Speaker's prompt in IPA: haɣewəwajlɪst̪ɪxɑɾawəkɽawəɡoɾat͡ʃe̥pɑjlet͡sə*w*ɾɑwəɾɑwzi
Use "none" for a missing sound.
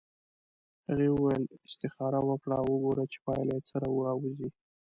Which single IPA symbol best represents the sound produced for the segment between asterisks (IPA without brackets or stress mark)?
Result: none